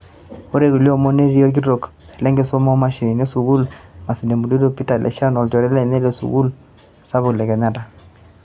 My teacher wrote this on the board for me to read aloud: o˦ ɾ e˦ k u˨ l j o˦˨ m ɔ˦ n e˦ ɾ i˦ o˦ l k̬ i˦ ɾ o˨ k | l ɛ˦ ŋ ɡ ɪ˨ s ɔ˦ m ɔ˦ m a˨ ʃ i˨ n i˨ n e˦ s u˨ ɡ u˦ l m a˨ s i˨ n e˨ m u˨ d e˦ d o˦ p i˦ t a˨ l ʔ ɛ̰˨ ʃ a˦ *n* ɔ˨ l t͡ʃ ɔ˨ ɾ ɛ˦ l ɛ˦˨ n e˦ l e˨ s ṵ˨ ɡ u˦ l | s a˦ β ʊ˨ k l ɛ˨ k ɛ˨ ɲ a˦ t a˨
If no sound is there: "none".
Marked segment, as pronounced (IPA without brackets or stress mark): n